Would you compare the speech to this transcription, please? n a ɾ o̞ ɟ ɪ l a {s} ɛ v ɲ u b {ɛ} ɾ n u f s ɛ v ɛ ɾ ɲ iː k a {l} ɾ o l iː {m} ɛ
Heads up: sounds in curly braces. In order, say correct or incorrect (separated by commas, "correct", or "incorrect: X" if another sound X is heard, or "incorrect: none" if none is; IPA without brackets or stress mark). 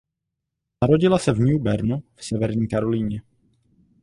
correct, correct, incorrect: none, incorrect: ɲ